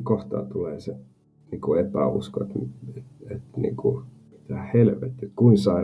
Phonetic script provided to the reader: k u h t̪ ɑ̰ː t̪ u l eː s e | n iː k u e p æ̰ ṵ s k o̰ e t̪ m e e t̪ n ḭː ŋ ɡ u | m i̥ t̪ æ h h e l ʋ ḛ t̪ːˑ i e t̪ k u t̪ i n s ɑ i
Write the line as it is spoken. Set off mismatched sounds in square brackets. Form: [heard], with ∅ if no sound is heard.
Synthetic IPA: k [o] h t̪ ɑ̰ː t̪ u l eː s e | n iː k u e p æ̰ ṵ s k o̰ e t̪ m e e t̪ n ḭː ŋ [k] u | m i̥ t̪ æ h h e l ʋ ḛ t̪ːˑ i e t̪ k u [∅] i n s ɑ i